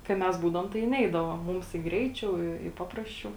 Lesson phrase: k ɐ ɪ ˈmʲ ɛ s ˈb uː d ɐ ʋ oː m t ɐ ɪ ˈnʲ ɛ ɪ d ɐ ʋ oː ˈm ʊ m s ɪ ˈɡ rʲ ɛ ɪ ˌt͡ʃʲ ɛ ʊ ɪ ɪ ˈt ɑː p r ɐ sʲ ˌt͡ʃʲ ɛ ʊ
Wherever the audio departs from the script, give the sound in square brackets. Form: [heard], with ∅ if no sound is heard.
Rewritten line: k ɐ ɪ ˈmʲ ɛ s ˈb uː d ɐ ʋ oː m t ɐ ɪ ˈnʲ ɛ ɪ d ɐ ʋ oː ˈm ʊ m s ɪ ˈɡ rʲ ɛ ɪ ˌt͡ʃʲ ɛ ʊ ɪ ɪ [ˈp] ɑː p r ɐ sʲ ˌt͡ʃʲ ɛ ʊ

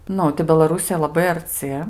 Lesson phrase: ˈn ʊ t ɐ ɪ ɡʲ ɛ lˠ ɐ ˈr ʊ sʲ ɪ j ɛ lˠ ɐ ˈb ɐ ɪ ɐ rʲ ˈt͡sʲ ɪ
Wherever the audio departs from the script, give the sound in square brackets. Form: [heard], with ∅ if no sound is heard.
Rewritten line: ˈn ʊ t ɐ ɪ [bʲ] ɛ lˠ ɐ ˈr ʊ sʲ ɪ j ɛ lˠ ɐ ˈb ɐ ɪ ɐ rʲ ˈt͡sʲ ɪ

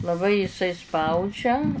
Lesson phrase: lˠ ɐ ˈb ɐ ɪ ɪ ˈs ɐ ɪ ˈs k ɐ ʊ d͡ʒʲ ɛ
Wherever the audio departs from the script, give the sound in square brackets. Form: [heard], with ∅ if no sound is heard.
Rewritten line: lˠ ɐ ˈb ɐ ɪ ɪ ˈs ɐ ɪ ˈs [p] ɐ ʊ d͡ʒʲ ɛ

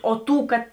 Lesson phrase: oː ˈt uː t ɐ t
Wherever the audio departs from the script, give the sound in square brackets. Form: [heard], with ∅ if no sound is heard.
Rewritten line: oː ˈt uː [k] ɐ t

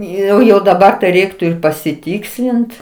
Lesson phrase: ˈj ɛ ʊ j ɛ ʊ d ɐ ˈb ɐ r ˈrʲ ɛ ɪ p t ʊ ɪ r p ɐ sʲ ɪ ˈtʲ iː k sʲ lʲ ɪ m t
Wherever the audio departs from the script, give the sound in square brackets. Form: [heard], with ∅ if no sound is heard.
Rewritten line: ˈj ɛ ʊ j ɛ ʊ d ɐ ˈb ɐ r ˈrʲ ɛ ɪ [k] t ʊ ɪ r p ɐ sʲ ɪ ˈtʲ iː k sʲ lʲ ɪ [n] t

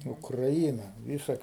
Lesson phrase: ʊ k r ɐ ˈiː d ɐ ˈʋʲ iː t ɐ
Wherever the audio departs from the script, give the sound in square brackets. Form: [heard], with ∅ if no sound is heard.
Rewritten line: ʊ k r ɐ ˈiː [n] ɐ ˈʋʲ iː [s] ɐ

